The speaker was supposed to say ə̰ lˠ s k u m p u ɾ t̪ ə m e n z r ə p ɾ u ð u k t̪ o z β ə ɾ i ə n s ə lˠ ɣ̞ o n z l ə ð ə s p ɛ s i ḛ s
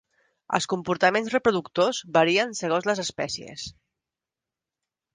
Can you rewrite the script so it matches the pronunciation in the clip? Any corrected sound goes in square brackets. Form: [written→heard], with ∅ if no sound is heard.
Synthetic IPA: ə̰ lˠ s k u m p u ɾ t̪ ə m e n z r ə p ɾ u ð u k t̪ o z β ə ɾ i ə n s ə [lˠ→∅] ɣ̞ o n z l ə [ð→z] ə s p ɛ s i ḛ s

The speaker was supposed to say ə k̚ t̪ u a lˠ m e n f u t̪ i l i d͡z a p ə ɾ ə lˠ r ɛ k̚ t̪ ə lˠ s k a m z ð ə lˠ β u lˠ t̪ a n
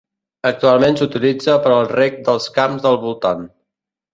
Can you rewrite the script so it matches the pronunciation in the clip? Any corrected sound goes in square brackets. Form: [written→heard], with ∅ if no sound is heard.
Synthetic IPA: ə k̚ t̪ u a lˠ m e n [f→s] u t̪ i l i d͡z [a→ə] p ə ɾ ə lˠ r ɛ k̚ [t̪→d̪] ə lˠ s k a m z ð ə lˠ β u lˠ t̪ a n

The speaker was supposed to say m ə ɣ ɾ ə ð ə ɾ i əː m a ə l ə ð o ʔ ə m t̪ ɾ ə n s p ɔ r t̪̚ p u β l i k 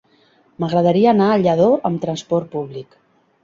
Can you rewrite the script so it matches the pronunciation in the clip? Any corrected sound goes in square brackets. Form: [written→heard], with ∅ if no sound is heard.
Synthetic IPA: m ə ɣ ɾ ə ð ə ɾ i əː [m→n] a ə [l→ʎ] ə ð o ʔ ə m t̪ ɾ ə n s p ɔ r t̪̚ p u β l i k

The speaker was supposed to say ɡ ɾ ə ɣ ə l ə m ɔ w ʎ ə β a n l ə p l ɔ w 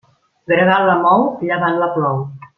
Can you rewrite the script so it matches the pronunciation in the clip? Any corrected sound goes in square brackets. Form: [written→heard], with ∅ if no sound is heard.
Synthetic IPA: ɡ ɾ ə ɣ [ə→a] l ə m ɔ w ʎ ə β a n l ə p l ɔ w

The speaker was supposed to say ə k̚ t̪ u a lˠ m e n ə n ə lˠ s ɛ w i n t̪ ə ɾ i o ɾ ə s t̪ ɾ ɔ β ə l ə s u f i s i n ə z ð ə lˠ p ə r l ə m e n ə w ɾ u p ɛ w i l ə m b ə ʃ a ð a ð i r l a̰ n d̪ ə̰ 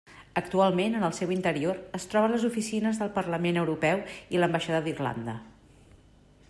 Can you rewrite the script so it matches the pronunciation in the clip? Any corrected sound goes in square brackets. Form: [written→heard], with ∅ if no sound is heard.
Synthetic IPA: ə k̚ t̪ u a lˠ m e n ə n ə lˠ s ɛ w i n t̪ ə ɾ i o ɾ ə s t̪ ɾ ɔ β ə l ə [s→z] u f i s i n ə z ð ə lˠ p ə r l ə m e n ə w ɾ u p ɛ w i l ə m b ə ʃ a ð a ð i r l a̰ n d̪ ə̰

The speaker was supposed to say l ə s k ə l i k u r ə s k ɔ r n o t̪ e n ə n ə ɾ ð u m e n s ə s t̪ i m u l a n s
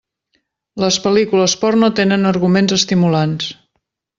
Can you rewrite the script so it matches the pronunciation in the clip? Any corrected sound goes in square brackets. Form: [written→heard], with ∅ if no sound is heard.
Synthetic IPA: l ə s [k→p] ə l i k u [r→l] ə s [k→p] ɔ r n o t̪ e n ə n ə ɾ [ð→ɣ] u m e n [s→z] ə s t̪ i m u l a n s

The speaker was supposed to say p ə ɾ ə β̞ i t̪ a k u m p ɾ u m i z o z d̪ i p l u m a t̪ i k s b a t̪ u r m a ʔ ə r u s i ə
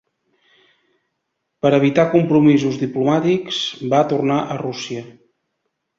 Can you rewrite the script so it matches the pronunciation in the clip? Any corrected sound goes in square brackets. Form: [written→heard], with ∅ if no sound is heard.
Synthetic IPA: p ə ɾ ə β̞ i t̪ a k u m p ɾ u m i z [o→u] z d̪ i p l u m a t̪ i k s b a t̪ u r [m→n] a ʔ ə r u s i ə

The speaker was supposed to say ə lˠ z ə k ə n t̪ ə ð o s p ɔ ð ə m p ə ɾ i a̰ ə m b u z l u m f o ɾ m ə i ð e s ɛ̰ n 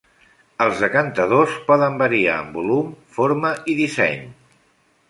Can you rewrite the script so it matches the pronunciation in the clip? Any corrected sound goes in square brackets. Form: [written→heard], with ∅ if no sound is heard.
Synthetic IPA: ə lˠ z ə k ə n t̪ ə ð o s p ɔ ð ə m [p→b] ə ɾ i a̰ ə m b u [z→∅] l u m f o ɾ m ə i ð [e→i] s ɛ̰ [n→ɲ]

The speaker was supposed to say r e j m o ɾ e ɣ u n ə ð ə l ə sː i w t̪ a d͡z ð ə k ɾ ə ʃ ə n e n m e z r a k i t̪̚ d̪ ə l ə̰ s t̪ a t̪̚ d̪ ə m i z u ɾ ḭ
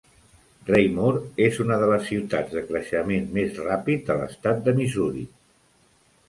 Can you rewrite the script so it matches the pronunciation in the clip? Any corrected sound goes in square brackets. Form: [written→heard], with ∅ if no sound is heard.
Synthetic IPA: r e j m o ɾ e [ɣ→z] u n ə ð ə l ə sː i w t̪ a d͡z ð ə k ɾ ə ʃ ə [n→m] e n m e z r a [k→p] i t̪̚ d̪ ə l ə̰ s t̪ a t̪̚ d̪ ə m i z u ɾ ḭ

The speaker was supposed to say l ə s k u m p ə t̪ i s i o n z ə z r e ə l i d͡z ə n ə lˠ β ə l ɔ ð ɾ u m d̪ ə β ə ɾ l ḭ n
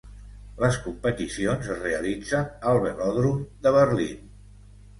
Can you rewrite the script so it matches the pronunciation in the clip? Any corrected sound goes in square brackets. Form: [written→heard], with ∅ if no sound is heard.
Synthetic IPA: l ə s k u m p ə t̪ i s i o n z ə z r e ə l i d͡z ə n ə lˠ β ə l ɔ ð ɾ u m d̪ ə β ə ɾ l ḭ n

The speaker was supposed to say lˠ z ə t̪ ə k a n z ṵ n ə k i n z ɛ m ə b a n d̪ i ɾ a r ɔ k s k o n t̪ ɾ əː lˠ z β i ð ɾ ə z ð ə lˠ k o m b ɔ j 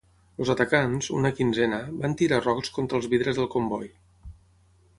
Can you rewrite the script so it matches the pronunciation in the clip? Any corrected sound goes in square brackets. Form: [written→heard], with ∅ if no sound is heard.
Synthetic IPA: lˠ z ə t̪ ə k a n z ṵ n ə k i n z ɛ [m→n] ə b a n [d̪→t̪] i ɾ a r ɔ k s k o n t̪ ɾ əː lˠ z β i ð ɾ ə z ð ə lˠ k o m b ɔ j

